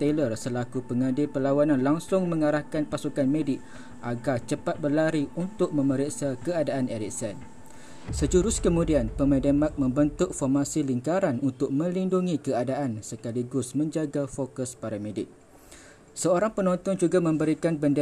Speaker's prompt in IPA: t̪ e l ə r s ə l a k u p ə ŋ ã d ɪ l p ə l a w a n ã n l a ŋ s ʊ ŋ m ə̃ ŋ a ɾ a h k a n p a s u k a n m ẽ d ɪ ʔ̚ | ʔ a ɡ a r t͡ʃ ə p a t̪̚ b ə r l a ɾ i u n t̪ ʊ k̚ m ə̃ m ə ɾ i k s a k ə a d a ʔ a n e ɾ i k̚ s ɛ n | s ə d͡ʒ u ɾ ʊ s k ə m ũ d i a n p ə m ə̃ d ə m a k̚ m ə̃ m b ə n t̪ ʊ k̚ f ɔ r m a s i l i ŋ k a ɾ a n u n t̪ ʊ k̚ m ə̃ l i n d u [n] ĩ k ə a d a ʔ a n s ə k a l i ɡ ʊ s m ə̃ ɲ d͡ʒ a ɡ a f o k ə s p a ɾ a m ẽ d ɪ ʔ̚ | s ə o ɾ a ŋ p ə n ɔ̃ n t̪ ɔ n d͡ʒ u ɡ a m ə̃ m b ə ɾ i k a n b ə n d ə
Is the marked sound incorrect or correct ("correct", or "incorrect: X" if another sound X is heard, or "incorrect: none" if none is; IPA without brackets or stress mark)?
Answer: incorrect: ŋ